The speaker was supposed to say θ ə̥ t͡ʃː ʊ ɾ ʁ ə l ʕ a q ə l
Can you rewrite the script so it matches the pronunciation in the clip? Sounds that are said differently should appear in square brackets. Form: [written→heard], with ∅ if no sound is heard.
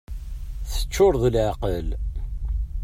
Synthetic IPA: θ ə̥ t͡ʃː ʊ ɾ [ʁ→ð] ə l ʕ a q ə l